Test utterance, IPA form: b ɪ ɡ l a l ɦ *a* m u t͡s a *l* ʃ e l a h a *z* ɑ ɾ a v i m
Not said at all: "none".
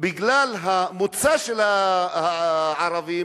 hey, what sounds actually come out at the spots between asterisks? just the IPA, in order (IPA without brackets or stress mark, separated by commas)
a, none, ʕ